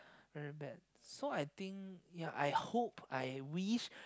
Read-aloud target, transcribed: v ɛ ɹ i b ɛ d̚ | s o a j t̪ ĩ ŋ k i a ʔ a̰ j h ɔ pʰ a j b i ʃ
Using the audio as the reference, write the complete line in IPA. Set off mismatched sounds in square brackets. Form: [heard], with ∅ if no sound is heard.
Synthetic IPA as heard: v ɛ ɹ i b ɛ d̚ | s o a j t̪ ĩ ŋ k [j] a ʔ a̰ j h [o] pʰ a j [w] i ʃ

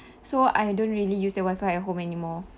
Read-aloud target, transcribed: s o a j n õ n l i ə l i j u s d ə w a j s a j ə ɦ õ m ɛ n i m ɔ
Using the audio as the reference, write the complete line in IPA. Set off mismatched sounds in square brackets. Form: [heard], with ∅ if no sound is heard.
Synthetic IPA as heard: s o a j [d] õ n [ɹ] i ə l i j u s d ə w a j [f] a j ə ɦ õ m ɛ n i m ɔ

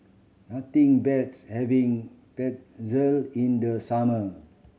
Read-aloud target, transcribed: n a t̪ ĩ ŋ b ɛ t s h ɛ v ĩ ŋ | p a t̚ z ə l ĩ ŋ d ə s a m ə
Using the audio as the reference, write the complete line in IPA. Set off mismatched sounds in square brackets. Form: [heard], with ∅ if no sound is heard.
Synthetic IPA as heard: n a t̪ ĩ ŋ b ɛ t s h ɛ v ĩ ŋ | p [ɛ] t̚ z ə l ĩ [n] d ə s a m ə

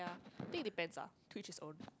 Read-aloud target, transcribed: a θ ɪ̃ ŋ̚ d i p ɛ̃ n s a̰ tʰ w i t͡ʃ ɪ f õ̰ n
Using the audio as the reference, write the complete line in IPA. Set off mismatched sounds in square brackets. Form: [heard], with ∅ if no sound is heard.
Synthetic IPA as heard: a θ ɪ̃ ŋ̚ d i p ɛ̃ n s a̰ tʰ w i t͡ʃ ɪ [s] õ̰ n

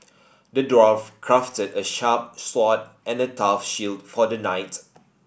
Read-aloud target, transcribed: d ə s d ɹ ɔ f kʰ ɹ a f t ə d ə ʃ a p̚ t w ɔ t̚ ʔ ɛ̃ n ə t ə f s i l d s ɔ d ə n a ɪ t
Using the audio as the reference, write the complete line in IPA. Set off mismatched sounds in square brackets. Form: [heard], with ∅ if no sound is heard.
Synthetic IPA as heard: d ə [∅] d ɹ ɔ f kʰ ɹ a f t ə d ə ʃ a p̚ [s] w ɔ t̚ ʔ ɛ̃ n ə t [a] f [ʃ] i l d [f] ɔ d ə n a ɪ t

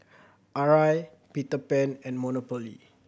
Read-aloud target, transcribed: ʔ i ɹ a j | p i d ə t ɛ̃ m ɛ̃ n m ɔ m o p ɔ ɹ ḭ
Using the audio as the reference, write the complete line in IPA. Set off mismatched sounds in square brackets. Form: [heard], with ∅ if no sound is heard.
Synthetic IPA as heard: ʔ [a] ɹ a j | p i [t] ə [p] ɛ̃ [n] ɛ̃ n m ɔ [n] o p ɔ [l] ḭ

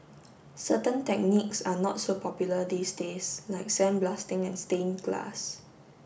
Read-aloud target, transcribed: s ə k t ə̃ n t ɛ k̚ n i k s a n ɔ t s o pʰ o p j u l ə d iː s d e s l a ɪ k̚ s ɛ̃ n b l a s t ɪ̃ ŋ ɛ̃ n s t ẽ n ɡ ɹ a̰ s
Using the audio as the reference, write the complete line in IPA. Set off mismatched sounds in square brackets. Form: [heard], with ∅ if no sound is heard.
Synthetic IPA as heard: s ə [∅] t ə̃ n t ɛ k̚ n i k s a n ɔ t s o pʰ [ɔ] p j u l ə d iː s d e s l a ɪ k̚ s ɛ̃ n b l a s t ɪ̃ ŋ ɛ̃ n s t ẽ n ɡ [l] a̰ s

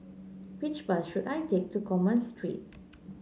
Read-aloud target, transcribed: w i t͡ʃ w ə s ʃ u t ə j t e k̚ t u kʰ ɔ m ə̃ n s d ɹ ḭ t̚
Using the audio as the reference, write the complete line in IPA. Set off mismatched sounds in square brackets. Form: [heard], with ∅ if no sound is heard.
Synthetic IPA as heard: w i t͡ʃ [b] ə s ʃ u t [a] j t e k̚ t u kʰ ɔ m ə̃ n s [t] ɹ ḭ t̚

